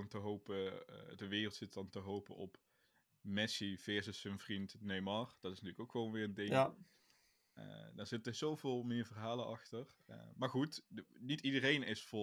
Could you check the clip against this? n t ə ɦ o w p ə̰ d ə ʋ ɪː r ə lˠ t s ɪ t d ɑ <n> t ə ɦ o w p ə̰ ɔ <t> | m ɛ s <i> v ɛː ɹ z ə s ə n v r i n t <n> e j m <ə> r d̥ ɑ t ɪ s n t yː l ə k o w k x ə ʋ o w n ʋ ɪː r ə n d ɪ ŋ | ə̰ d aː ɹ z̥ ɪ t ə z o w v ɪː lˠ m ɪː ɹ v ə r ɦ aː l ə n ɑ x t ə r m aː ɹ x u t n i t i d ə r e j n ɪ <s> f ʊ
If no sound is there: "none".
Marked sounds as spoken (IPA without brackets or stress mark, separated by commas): n, p, i, n, ɑ, s